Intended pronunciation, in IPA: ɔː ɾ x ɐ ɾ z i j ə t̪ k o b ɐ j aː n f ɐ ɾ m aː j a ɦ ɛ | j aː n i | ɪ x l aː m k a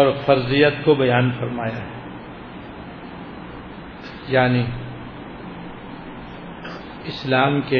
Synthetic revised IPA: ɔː ɾ f ɐ ɾ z i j ə t̪ k o b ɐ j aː n f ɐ ɾ m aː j a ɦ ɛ | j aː n i | ɪ s l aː m k e